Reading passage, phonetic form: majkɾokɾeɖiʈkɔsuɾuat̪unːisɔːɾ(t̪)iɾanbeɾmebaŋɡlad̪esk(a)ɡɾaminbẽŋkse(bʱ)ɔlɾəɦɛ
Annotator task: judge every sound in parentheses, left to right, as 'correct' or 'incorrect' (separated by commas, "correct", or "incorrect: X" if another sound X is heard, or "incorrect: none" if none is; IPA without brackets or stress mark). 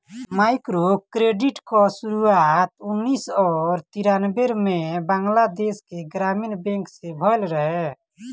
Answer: correct, incorrect: e, correct